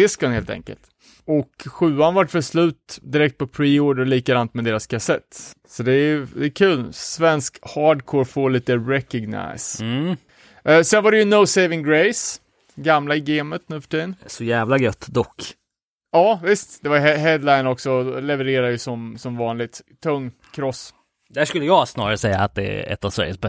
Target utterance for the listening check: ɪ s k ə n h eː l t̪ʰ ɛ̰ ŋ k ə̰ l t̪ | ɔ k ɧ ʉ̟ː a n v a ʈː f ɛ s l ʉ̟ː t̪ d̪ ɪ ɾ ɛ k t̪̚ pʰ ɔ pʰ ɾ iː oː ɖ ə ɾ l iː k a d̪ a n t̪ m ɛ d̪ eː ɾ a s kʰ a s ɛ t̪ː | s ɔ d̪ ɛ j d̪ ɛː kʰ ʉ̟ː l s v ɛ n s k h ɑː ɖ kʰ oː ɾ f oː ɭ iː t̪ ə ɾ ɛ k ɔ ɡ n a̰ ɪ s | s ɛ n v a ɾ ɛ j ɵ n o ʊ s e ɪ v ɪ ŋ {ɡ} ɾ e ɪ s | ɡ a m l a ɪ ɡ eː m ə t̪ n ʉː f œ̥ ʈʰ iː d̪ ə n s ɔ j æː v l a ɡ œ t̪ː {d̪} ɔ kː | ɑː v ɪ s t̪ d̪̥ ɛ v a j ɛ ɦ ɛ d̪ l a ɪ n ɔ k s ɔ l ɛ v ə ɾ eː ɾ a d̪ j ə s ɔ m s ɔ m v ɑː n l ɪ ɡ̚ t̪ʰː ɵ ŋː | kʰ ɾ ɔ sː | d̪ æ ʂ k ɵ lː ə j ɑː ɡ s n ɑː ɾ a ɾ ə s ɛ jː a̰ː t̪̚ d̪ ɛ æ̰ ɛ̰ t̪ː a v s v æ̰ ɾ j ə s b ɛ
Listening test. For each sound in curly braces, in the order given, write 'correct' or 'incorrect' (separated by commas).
correct, correct